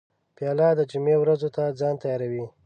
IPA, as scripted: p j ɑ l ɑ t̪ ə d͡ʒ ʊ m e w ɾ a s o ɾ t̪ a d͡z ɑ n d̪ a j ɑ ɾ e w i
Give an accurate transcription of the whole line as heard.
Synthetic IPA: p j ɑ l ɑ d̪ ə d͡ʒ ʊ m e w ɾ a z o t̪ a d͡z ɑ n t̪ a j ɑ ɾ a w i